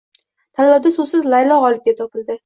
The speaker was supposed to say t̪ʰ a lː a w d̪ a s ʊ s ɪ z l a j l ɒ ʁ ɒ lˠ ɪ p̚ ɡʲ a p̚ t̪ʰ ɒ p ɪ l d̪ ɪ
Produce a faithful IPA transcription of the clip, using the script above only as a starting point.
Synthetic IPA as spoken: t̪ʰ a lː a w d̪ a s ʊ s ɪ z l a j l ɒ ʁ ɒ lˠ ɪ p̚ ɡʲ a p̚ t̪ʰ ɒ p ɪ l d̪ ɪ